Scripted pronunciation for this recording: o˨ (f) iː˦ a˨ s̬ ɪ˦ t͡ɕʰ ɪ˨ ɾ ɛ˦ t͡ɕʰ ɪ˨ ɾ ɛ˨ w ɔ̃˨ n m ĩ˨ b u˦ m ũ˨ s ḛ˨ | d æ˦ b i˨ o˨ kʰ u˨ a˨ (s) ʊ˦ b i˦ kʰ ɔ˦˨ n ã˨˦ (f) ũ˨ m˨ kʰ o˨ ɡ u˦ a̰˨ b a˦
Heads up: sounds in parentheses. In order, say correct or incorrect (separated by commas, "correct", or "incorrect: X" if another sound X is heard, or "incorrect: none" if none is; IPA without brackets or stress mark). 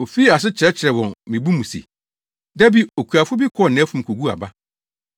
correct, incorrect: f, correct